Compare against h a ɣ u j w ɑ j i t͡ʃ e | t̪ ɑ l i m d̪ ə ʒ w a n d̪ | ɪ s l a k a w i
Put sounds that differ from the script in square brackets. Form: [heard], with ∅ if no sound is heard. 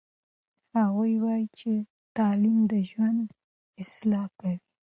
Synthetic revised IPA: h a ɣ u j w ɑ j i t͡ʃ e | t̪ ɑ l i m d̪ ə ʒ w a n d̪ | ɪ s l [ɑ] k a w i